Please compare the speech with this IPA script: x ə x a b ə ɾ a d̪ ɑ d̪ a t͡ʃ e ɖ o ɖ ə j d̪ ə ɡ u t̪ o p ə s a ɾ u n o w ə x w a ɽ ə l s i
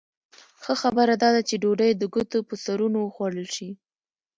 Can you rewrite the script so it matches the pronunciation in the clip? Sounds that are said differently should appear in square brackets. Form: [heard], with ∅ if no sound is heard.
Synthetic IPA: x ə x a b ə ɾ a d̪ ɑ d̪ a t͡ʃ e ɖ o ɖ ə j d̪ ə ɡ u t̪ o p ə s a ɾ u n o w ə x w a ɽ ə l [ʃ] i